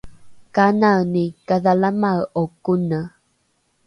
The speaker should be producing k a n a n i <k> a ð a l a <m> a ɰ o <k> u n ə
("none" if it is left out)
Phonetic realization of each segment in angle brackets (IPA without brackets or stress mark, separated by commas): k, m, k